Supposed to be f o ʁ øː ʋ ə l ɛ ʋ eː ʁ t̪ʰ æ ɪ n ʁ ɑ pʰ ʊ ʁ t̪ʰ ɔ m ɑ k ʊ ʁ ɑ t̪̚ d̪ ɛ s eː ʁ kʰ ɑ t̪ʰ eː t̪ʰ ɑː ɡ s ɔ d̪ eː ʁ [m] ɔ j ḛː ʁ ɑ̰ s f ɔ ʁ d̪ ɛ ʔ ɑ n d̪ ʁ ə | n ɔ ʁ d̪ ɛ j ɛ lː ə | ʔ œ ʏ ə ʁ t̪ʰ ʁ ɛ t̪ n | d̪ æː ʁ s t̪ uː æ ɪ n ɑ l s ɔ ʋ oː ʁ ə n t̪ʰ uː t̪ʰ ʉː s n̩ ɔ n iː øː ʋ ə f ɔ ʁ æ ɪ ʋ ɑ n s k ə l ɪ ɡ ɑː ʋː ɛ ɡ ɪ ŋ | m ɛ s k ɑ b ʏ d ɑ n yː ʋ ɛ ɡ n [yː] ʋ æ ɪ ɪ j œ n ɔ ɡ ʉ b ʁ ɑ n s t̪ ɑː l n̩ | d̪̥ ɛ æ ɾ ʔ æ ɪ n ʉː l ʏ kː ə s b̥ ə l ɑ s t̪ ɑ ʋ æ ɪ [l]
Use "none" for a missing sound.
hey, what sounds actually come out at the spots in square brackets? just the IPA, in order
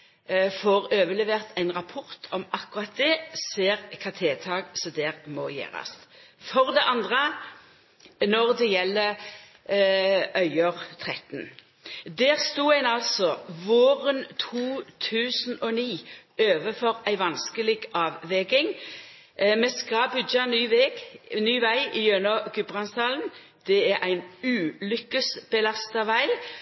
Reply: m, yː, l

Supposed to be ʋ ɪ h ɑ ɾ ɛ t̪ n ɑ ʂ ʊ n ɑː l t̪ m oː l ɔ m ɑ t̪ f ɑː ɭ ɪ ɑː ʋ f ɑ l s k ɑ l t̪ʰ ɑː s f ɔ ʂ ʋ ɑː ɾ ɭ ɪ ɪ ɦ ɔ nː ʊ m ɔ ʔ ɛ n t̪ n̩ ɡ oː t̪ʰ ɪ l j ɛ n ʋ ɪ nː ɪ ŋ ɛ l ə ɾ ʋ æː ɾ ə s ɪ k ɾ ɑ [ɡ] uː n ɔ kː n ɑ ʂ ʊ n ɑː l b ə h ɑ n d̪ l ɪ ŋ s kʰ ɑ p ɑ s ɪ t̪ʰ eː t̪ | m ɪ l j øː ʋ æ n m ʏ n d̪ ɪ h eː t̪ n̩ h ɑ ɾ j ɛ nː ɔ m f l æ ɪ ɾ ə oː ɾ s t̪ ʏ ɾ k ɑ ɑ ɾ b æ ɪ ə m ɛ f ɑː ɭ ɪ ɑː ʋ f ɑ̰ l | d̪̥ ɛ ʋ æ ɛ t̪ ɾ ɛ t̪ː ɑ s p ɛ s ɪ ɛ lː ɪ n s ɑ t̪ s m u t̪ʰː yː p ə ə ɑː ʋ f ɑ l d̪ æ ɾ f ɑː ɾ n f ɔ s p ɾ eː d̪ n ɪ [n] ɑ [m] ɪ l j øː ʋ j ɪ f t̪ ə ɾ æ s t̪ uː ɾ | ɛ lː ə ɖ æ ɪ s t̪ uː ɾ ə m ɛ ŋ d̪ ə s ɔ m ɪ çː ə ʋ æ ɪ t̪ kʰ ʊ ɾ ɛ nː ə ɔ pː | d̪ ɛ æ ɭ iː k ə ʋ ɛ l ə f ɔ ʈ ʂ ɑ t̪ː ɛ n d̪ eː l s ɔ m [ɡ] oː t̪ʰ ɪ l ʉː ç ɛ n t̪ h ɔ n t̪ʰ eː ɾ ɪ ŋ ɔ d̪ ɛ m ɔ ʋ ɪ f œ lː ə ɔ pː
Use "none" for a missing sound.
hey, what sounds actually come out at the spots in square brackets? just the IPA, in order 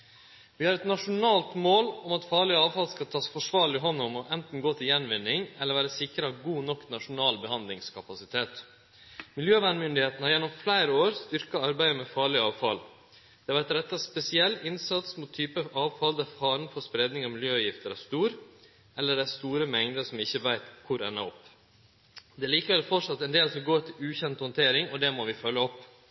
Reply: ɡ, ŋ, m, ɡ

